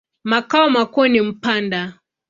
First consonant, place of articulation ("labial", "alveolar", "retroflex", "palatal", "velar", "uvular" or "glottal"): labial